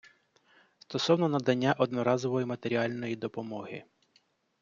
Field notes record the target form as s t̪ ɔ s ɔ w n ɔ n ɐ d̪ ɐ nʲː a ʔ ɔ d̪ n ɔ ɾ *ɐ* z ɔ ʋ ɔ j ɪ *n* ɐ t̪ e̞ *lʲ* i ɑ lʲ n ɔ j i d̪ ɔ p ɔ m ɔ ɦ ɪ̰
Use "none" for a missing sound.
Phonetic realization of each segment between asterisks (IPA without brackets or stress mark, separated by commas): ɑ, m, ɾʲ